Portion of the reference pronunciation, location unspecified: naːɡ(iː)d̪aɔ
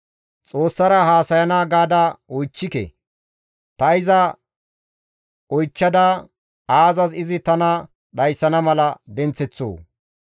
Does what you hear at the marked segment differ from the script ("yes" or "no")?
yes